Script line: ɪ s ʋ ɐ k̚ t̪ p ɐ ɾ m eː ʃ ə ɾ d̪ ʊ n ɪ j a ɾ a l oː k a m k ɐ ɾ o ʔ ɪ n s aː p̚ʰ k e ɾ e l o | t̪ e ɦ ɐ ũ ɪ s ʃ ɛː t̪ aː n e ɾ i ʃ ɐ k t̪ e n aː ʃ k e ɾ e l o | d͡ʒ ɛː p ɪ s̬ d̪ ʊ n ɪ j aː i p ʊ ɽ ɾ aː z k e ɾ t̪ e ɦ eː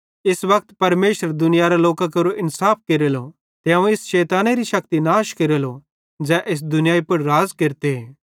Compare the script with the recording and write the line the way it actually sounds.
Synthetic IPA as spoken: ɪ s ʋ ɐ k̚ t̪ p ɐ ɾ m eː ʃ ə ɾ d̪ ʊ n ɪ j a ɾ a l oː k a k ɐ ɾ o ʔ ɪ n s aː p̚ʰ k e ɾ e l o | t̪ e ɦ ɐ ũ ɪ s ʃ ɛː t̪ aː n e ɾ i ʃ ɐ k t̪ i n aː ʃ k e ɾ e l o | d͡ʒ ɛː ʔ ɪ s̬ d̪ ʊ n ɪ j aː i p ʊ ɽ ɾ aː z k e ɾ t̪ e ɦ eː

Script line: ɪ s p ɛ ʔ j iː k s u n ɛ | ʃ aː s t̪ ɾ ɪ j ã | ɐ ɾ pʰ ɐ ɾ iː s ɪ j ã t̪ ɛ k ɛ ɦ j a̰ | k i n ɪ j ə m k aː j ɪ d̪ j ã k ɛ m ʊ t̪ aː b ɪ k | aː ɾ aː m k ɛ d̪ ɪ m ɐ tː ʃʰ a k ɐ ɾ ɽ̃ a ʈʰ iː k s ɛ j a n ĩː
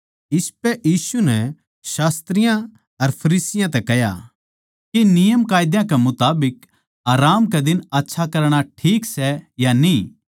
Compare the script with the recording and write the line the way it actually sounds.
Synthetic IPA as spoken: ɪ s p ɛ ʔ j iː s u n ɛ | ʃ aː s t̪ ɾ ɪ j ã | ɐ ɾ pʰ ɐ ɾ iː s ɪ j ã t̪ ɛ k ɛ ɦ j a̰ | k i n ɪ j ə m k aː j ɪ d̪ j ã k ɛ m ʊ t̪ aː b ɪ k | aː ɾ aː m k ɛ d̪ ɪ n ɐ tː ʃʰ a k ɐ ɾ ɽ̃ a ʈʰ iː k s ɛ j a n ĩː

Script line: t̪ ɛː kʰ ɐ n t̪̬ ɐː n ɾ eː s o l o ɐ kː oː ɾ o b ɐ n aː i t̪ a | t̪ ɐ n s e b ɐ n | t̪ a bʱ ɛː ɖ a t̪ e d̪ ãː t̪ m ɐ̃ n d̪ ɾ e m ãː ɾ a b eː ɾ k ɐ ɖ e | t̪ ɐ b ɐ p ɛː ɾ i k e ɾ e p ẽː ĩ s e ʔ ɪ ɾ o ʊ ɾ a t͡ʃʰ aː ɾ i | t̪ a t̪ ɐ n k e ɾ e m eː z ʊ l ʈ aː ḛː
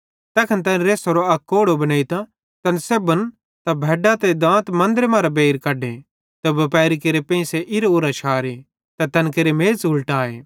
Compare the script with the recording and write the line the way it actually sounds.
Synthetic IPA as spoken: t̪ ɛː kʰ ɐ n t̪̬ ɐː n ɾ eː s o ɾ o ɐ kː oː ɽ o b ɐ n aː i t̪ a | t̪ ɐ n s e b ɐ n | t̪ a bʱ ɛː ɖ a t̪ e d̪ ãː t̪ m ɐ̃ n d̪ ɾ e m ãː ɾ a b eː ɾ k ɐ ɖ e | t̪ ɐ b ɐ p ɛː ɾ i k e ɾ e p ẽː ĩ s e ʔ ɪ ɾ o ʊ ɾ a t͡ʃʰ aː ɾ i | t̪ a t̪ ɐ n k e ɾ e m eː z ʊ l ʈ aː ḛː

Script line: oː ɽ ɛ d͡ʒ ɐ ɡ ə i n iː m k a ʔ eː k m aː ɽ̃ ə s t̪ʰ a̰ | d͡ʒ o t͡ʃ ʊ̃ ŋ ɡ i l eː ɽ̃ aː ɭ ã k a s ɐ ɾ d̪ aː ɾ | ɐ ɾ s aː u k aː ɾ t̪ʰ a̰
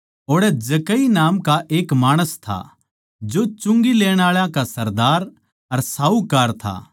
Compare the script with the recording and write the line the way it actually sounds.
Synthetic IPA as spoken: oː ɽ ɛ d͡ʒ ɐ k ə i n aː m k a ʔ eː k m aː ɽ̃ ə s t̪ʰ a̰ | d͡ʒ o t͡ʃ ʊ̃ ŋ ɡ i l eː ɽ̃ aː ɭ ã k a s ɐ ɾ d̪ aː ɾ | ɐ ɾ s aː u k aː ɾ t̪ʰ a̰

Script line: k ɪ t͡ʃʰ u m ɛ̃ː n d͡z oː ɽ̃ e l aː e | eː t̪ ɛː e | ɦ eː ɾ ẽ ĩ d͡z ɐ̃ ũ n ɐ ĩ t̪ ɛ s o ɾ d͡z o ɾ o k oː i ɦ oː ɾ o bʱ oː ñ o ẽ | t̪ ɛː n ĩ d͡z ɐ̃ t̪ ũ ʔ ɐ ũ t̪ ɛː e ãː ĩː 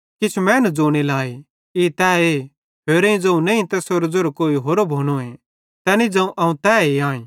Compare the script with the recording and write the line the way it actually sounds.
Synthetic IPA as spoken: k ɪ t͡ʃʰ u m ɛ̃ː n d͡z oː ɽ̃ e l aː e | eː t̪ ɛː e | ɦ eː ɾ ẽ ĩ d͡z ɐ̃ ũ n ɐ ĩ t̪ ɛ s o ɾ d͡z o ɾ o k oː i ɦ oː ɾ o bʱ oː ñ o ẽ | t̪ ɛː n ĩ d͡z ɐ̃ ũ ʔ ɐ ũ t̪ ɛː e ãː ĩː

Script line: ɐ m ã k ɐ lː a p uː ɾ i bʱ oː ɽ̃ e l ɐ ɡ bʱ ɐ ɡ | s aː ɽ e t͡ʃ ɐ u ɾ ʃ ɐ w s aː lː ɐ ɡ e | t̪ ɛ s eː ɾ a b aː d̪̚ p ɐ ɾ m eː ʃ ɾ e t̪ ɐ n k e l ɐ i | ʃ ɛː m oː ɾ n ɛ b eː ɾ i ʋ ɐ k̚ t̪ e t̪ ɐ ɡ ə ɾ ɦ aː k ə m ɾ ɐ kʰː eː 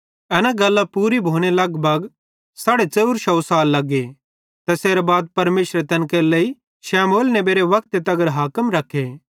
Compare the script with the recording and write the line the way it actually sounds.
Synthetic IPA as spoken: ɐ n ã ɡ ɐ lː a p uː ɾ i bʱ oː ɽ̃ e l ɐ ɡ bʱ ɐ ɡ | s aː ɽ e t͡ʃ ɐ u ɾ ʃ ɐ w s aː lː ɐ ɡ e | t̪ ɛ s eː ɾ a b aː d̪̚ p ɐ ɾ m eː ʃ ɾ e t̪ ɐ n k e l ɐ i | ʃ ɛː m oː l n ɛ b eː ɾ e ʋ ɐ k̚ t̪ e t̪ ɐ ɡ ə ɾ ɦ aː k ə m ɾ ɐ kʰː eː

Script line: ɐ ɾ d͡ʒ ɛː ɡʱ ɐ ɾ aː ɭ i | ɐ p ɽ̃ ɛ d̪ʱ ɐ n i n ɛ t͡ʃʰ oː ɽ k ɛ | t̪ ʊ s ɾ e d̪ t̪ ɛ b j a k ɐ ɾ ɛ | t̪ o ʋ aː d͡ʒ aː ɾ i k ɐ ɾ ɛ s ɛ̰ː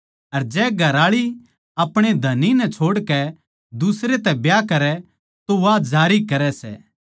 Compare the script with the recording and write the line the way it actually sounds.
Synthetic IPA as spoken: ɐ ɾ d͡ʒ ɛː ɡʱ ɐ ɾ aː ɭ i | ɐ p ɽ̃ e d̪ʱ ɐ n i n ɛ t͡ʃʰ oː ɽ k ɛ | d̪ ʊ s ɾ e t̪ ɛ b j a k ɐ ɾ ɛ | t̪ o ʋ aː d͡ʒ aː ɾ i k ɐ ɾ ɛ s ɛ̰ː

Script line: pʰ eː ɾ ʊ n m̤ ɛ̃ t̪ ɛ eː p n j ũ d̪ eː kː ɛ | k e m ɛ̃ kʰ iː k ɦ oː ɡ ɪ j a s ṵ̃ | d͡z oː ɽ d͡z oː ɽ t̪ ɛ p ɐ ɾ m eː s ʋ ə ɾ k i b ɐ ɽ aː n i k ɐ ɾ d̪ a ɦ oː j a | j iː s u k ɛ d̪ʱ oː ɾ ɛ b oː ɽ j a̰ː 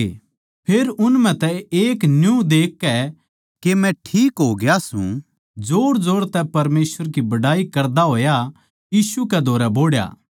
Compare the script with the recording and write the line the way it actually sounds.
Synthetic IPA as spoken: pʰ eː ɾ ʊ n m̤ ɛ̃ t̪ ɛ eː k n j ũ d̪ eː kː ɛ | k e m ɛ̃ ʈʰ iː k ɦ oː ɡ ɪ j a s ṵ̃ | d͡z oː ɽ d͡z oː ɽ t̪ ɛ p ɐ ɾ m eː s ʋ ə ɾ k i b ɐ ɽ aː i k ɐ ɾ d̪ a ɦ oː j a | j iː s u k ɛ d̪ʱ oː ɾ ɛ b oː ɽ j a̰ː

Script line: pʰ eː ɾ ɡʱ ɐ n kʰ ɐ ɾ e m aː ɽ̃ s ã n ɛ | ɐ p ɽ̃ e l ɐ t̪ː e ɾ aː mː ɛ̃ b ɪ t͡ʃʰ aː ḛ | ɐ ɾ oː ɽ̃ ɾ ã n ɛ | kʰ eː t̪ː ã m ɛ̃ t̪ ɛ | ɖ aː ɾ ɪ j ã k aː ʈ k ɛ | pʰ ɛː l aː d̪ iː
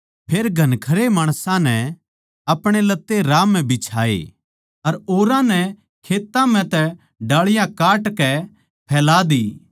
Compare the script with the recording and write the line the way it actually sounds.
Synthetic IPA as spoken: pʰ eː ɾ ɡʱ ɐ n kʰ ɐ ɾ e m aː ɽ̃ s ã n ɛ | ɐ p ɽ̃ e l ɐ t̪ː e ɾ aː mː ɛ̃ b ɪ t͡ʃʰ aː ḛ | ɐ ɾ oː ɾ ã n ɛ | kʰ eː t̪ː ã m ɛ̃ t̪ ɛ | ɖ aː ɭ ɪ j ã k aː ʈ k ɛ | pʰ ɛː l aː d̪ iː

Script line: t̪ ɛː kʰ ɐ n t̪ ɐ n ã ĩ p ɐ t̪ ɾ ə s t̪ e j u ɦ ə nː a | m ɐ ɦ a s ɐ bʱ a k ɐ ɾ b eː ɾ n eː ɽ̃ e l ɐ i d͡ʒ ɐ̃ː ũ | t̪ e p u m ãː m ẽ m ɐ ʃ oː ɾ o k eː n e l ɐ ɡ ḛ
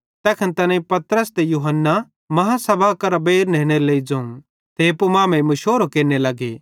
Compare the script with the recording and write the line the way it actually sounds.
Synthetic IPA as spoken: t̪ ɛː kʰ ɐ n t̪ ɐ n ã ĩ p ɐ t̪ ɾ ə s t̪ e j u ɦ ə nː a | m ɐ ɦ a s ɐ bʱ a k ɐ ɾ b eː ɾ n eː ɽ̃ e l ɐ i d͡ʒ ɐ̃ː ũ | t̪ e p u m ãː m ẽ m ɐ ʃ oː ɾ o k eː n e l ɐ ɡ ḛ

